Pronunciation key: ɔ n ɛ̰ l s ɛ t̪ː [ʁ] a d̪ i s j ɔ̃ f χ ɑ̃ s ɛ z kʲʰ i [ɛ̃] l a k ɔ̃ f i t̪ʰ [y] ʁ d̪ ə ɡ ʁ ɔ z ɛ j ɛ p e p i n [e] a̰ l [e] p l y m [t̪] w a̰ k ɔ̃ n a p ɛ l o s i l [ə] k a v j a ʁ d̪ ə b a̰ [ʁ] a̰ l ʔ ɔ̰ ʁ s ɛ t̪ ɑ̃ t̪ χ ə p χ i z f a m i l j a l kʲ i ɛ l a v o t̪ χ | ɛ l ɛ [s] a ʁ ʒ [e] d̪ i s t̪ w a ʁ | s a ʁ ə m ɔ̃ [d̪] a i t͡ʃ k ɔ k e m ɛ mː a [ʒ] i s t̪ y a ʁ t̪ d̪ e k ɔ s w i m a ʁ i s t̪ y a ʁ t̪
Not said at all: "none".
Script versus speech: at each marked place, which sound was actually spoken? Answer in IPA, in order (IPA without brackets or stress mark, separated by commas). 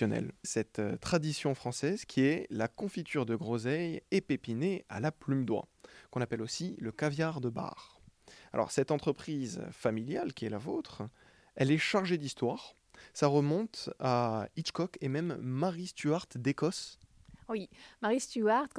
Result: χ, ɛ, y, e, a, d̪, ə, ʁ, ʃ, e, t̪, ʁ